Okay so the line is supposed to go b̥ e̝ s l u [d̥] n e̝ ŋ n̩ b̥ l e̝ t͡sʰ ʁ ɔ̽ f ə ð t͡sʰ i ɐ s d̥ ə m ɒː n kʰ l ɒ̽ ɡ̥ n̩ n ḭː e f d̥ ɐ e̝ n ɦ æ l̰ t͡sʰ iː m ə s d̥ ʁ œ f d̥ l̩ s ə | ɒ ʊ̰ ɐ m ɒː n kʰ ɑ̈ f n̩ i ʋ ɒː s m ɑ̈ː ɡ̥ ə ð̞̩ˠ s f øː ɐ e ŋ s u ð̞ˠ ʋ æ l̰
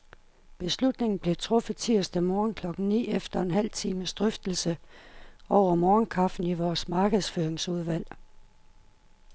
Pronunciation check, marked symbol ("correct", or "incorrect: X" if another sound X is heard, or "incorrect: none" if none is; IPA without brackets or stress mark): correct